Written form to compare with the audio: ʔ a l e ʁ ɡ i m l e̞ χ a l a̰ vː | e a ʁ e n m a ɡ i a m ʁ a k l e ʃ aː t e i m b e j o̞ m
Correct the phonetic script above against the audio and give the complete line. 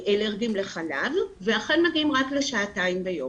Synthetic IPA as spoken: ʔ e l e ʁ ɡ i m l e̞ χ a l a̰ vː | e a χ e n m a ɡ i i m ʁ a k l e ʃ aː t a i m b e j o̞ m